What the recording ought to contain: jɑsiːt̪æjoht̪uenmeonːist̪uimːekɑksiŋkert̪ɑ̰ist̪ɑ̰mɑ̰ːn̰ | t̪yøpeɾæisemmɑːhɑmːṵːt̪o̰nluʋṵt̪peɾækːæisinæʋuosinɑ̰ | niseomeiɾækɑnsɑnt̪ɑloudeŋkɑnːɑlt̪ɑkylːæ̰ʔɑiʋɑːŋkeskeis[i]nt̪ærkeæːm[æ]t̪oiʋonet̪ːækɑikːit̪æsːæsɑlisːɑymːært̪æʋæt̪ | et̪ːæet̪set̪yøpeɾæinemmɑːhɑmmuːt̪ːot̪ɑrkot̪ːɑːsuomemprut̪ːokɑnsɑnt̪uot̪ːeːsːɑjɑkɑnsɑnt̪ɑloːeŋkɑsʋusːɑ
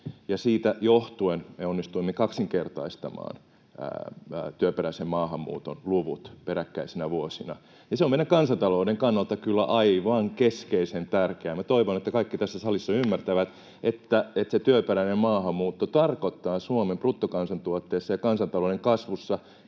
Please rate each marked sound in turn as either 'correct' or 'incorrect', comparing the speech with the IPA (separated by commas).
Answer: incorrect, correct